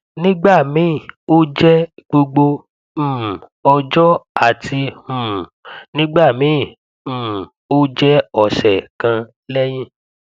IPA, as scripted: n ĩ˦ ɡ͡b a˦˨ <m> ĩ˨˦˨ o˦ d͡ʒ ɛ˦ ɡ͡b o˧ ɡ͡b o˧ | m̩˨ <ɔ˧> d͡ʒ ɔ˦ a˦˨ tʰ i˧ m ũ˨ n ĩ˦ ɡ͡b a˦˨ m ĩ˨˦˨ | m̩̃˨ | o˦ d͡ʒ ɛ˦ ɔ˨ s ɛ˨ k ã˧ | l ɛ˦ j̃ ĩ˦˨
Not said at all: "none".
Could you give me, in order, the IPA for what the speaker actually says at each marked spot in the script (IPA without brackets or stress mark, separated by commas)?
m, ɔ˧